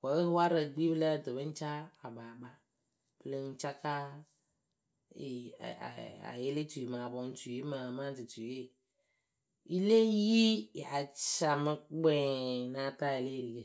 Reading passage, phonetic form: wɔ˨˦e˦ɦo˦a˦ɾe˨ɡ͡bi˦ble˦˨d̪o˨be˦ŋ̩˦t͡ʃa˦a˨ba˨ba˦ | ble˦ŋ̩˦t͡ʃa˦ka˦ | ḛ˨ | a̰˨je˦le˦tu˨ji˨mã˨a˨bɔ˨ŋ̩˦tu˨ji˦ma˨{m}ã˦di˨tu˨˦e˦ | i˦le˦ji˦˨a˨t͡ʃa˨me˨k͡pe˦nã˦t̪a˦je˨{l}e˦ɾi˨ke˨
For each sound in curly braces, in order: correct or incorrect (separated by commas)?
correct, correct